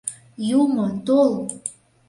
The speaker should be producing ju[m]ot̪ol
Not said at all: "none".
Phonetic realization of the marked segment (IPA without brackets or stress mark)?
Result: m